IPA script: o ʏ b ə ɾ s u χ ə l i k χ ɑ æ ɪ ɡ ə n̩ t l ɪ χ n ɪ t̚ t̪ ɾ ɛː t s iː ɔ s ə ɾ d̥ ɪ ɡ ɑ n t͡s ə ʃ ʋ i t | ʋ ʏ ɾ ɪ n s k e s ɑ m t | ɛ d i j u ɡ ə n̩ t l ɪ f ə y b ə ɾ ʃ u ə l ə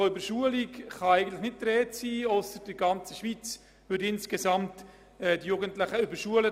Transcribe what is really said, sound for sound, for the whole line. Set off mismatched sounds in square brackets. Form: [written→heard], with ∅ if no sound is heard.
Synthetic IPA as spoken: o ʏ b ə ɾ [s→ʃ] u [χ→∅] ə l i k χ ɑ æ ɪ ɡ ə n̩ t l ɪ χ n ɪ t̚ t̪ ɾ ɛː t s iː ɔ s ə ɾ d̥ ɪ ɡ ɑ n t͡s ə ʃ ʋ i [t→t͡s] | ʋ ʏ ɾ ɪ n s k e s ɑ m t | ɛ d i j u ɡ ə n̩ t l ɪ [f→χ] ə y b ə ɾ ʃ u ə l ə